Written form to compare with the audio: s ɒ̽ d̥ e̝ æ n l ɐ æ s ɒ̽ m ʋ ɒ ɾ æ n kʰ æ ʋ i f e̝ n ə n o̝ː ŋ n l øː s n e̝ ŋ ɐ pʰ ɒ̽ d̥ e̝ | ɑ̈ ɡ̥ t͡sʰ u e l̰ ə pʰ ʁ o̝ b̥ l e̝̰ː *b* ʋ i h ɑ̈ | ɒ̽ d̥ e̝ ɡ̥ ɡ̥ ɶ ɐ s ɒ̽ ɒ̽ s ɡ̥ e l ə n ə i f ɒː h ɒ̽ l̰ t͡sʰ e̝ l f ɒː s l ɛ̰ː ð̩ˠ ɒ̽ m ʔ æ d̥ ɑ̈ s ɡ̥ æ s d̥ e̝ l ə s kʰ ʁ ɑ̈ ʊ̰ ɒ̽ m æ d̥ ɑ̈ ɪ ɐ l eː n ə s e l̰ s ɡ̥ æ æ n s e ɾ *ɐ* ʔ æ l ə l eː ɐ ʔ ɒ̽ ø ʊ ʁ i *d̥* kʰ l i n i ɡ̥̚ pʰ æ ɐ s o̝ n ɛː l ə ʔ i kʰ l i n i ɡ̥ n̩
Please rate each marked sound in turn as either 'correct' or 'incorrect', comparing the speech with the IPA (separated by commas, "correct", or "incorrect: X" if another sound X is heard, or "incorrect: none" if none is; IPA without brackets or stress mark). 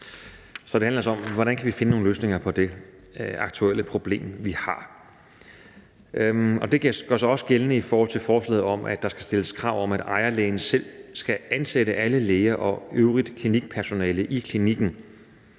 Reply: incorrect: m, incorrect: ə, correct